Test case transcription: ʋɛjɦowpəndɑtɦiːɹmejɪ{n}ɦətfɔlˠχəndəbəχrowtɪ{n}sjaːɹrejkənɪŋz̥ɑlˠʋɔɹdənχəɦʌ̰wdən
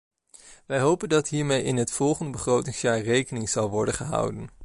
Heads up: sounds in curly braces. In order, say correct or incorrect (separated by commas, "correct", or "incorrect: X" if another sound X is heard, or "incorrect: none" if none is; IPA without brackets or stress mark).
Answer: correct, incorrect: ŋ